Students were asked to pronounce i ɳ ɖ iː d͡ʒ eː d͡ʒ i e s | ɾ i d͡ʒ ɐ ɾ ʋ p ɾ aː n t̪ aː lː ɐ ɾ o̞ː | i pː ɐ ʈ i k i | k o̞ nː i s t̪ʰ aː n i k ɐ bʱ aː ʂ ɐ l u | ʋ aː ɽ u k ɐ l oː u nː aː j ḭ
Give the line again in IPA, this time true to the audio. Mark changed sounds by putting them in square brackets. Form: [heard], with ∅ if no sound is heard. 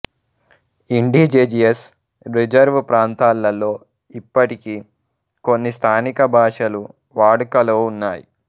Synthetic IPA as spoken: i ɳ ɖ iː d͡ʒ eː d͡ʒ i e s | ɾ i d͡ʒ ɐ ɾ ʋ p ɾ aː n t̪ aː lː ɐ [l] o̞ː | i pː ɐ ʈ i k i | k o̞ nː i s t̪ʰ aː n i k ɐ bʱ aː ʂ ɐ l u | ʋ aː ɽ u k ɐ l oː u nː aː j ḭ

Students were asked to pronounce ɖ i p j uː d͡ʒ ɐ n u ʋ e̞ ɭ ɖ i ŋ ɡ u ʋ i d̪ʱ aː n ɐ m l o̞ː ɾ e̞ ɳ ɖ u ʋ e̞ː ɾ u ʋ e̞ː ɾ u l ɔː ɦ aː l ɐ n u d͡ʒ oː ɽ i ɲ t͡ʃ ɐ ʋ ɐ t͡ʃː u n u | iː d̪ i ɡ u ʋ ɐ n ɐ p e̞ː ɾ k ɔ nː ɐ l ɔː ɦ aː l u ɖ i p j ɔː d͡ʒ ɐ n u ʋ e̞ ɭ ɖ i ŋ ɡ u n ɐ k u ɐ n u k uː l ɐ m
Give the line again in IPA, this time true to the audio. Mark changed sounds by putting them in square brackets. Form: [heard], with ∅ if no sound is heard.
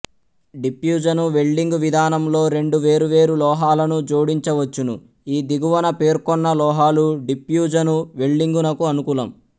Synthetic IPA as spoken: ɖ i p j uː d͡ʒ ɐ n u ʋ e̞ ɭ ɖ i ŋ ɡ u ʋ i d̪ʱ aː n ɐ m l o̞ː ɾ e̞ ɳ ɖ u ʋ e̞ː ɾ u ʋ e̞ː ɾ u l ɔː ɦ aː l ɐ n u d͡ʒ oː ɽ i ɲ t͡ʃ ɐ ʋ ɐ t͡ʃː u n u | iː d̪ i ɡ u ʋ ɐ n ɐ p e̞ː ɾ k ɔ nː ɐ l ɔː ɦ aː l u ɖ i p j [uː] d͡ʒ ɐ n u ʋ e̞ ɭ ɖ i ŋ ɡ u n ɐ k u ɐ n u k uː l ɐ m

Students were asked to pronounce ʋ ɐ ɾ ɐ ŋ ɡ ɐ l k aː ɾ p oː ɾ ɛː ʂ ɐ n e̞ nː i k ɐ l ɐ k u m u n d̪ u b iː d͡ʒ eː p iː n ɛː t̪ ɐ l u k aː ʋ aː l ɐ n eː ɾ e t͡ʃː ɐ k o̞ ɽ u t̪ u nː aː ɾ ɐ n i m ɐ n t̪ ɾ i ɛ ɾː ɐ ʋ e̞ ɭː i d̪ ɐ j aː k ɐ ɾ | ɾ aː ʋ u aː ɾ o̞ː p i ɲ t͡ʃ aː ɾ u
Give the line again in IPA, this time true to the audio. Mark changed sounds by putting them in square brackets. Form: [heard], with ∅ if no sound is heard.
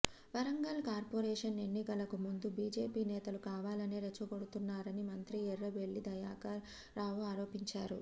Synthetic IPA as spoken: ʋ ɐ ɾ ɐ ŋ ɡ ɐ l k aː ɾ p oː ɾ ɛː ʂ ɐ n e̞ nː i k ɐ l ɐ k u m u n d̪ u b iː d͡ʒ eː p iː n ɛː t̪ ɐ l u k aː ʋ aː l ɐ n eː ɾ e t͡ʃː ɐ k o̞ ɽ u t̪ u nː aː ɾ ɐ n i m ɐ n t̪ ɾ i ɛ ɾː ɐ ʋ e̞ ɭː i d̪ ɐ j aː k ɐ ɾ | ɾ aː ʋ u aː ɾ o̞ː p i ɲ t͡ʃ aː ɾ u

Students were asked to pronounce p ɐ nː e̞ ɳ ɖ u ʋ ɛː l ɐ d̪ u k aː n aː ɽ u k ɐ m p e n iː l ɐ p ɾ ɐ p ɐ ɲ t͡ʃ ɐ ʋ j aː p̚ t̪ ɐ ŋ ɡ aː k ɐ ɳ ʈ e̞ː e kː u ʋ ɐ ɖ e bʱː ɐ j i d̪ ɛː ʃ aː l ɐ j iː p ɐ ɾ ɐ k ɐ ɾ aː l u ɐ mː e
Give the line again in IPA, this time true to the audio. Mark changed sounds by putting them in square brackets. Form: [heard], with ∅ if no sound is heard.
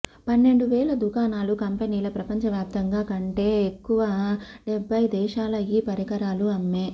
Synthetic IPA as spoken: p ɐ nː e̞ ɳ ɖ u ʋ ɛː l ɐ d̪ u k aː n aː [l] u k ɐ m p e n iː l ɐ p ɾ ɐ p ɐ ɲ t͡ʃ ɐ ʋ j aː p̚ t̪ ɐ ŋ ɡ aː k ɐ ɳ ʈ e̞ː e kː u ʋ ɐ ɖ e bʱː ɐ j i d̪ ɛː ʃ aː l ɐ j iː p ɐ ɾ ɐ k ɐ ɾ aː l u ɐ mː e

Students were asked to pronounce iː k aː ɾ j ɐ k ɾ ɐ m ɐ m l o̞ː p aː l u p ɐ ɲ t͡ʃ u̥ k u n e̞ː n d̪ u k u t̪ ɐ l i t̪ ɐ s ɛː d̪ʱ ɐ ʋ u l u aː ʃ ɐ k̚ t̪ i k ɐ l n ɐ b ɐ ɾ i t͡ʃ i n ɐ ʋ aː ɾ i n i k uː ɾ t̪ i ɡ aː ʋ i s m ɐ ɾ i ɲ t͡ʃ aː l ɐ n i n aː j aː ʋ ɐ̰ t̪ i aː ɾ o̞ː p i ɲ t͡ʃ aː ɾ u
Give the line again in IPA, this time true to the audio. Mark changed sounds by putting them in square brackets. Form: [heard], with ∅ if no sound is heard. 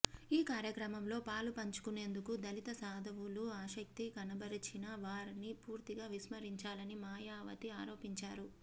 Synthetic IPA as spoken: iː k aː ɾ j ɐ k ɾ ɐ m ɐ m l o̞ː p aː l u p ɐ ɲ t͡ʃ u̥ k u n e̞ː n d̪ u k u [d̪] ɐ l i t̪ ɐ s [aː] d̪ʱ ɐ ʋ u l u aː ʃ ɐ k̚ t̪ i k ɐ [∅] n ɐ b ɐ ɾ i t͡ʃ i n ɐ ʋ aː ɾ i n i [p] uː ɾ t̪ i ɡ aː ʋ i s m ɐ ɾ i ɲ t͡ʃ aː l ɐ n i [m] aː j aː ʋ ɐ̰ t̪ i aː ɾ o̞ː p i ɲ t͡ʃ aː ɾ u

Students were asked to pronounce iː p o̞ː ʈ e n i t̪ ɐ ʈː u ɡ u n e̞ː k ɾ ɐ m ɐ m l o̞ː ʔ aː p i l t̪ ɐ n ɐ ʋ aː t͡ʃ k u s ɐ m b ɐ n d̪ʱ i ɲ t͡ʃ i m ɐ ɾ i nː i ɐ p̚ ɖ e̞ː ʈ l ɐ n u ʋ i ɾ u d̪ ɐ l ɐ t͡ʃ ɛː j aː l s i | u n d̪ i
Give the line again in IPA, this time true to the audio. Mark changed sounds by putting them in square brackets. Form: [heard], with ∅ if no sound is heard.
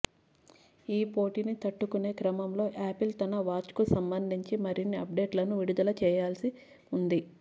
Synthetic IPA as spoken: iː p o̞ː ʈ [i] n i t̪ ɐ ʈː u [k] u n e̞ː k ɾ ɐ m ɐ m l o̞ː ʔ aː p i l t̪ ɐ n ɐ ʋ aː t͡ʃ k u s ɐ m b ɐ n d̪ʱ i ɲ t͡ʃ i m ɐ ɾ i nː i ɐ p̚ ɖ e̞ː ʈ l ɐ n u ʋ i [ɽ] u d̪ ɐ l ɐ t͡ʃ ɛː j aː l s i | u n d̪ i

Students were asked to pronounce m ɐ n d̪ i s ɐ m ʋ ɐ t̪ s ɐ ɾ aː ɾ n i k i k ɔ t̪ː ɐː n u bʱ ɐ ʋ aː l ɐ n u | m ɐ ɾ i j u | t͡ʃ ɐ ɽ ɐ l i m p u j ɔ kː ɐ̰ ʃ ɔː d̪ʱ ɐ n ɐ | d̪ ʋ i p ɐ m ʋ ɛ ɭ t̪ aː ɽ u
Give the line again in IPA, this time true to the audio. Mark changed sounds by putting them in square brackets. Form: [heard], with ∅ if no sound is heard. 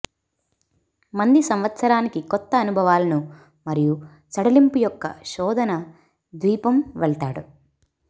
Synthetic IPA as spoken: m ɐ n d̪ i s ɐ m ʋ ɐ t̪ s ɐ ɾ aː [∅] n i k i k ɔ t̪ː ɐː n u bʱ ɐ ʋ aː l ɐ n u | m ɐ ɾ i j u | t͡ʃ ɐ ɽ ɐ l i m p u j ɔ kː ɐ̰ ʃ ɔː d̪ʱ ɐ n ɐ | d̪ ʋ [iː] p ɐ m ʋ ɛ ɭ t̪ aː ɽ u

